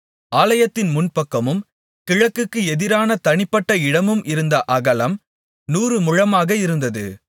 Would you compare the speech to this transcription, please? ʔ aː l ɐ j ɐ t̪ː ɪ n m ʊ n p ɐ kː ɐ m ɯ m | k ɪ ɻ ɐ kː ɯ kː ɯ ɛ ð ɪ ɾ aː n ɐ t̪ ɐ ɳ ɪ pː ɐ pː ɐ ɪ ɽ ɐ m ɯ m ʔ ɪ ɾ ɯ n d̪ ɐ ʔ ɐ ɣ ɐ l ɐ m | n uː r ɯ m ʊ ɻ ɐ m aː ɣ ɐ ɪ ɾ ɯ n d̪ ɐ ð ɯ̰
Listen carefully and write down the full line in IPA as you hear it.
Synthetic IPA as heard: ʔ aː l ɐ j ɐ t̪ː ɪ n m ʊ n p ɐ kː ɐ m ɯ m | k ɪ ɻ ɐ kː ɯ kː ɯ ɛ ð ɪ ɾ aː n ɐ t̪ ɐ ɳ ɪ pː ɐ ʈː ɐ ɪ ɽ ɐ m ɯ m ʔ ɪ ɾ ɯ n d̪ ɐ ʔ ɐ ɣ ɐ l ɐ m | n uː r ɯ m ʊ ɻ ɐ m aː ɣ ɐ ɪ ɾ ɯ n d̪ ɐ ð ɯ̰